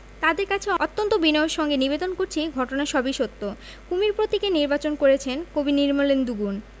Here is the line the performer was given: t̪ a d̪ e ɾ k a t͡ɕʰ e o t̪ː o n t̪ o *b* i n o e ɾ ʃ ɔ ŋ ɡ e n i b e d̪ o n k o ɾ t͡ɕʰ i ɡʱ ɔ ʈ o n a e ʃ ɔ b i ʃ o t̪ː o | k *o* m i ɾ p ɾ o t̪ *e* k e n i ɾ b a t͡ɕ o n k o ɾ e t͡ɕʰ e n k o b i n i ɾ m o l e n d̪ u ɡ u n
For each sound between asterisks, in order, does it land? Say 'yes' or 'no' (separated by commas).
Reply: yes, no, no